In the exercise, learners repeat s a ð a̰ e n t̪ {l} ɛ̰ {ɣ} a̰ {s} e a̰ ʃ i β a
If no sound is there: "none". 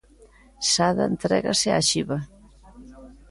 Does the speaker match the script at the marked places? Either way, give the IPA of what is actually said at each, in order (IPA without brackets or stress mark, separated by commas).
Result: ɾ, ɣ, s